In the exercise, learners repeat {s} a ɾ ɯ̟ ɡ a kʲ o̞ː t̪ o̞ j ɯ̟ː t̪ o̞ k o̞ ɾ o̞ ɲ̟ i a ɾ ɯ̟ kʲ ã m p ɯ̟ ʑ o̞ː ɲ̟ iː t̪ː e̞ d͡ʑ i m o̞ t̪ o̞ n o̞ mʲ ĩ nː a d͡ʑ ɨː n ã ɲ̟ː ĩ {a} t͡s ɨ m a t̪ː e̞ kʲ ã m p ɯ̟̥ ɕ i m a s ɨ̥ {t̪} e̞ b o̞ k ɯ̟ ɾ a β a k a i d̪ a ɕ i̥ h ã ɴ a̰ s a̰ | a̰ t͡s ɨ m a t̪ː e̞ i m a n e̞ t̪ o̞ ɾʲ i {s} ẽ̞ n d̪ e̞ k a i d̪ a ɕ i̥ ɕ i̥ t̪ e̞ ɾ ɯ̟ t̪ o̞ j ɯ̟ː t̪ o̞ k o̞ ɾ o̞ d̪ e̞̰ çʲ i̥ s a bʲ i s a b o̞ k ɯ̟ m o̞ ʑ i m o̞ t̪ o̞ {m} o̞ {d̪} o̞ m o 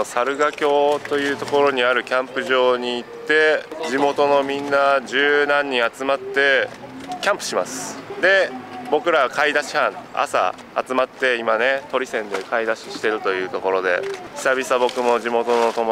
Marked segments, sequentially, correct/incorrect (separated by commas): correct, correct, incorrect, correct, incorrect, incorrect